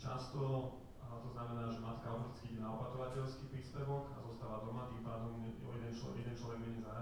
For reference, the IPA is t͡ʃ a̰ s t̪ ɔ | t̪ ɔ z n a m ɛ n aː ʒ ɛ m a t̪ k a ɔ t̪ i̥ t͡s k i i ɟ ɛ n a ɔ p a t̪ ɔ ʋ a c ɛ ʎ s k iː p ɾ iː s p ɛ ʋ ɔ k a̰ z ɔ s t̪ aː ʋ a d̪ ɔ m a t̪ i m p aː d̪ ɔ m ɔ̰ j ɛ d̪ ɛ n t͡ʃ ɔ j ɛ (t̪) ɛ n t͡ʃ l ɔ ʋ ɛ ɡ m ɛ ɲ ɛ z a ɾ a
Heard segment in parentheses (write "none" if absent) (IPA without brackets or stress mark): d̪